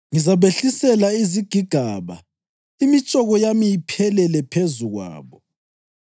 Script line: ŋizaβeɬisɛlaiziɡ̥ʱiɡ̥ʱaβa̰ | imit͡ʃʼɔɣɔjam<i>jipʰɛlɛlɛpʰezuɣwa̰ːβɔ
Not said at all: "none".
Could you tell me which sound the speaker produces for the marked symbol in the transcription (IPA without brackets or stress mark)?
i